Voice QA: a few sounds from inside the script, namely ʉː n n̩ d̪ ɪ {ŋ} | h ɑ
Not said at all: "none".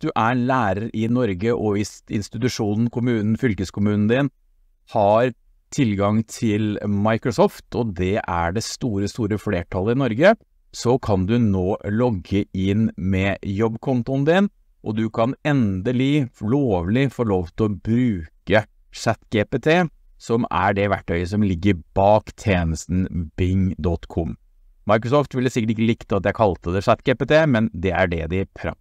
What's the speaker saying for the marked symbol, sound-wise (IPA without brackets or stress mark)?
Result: n